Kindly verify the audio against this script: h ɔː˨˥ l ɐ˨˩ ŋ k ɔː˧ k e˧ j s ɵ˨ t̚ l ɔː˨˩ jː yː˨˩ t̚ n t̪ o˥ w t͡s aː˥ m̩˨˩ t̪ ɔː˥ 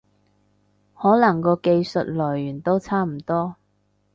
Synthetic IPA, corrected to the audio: h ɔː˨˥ l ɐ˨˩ ŋ k ɔː˧ k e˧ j s ɵ˨ t̚ l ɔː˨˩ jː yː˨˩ n t̪ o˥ w t͡sʰ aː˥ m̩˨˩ t̪ ɔː˥